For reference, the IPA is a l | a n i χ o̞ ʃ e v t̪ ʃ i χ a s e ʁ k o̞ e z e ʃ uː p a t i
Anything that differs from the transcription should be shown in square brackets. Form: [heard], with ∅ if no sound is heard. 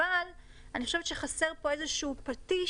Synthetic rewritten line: a l | a n i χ o̞ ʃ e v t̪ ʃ [e] χ a s e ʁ [p] o̞ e z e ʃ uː p a t i